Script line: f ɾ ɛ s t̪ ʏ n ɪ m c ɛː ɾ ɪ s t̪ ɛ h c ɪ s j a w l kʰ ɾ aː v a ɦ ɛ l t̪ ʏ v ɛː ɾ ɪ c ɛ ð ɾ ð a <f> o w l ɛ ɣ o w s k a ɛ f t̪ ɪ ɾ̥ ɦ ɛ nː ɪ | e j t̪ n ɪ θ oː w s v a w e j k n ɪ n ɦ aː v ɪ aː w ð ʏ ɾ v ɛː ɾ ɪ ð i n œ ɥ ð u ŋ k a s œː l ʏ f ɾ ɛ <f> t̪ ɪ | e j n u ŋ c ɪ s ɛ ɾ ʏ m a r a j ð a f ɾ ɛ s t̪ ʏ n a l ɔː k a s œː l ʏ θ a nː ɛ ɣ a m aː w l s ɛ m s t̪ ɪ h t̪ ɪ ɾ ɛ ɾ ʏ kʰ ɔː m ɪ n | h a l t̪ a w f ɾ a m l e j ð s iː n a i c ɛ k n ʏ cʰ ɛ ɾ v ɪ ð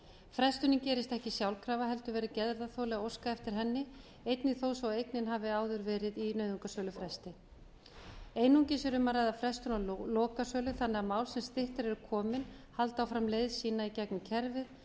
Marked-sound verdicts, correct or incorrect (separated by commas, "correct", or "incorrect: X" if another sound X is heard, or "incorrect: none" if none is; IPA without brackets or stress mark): incorrect: θ, incorrect: s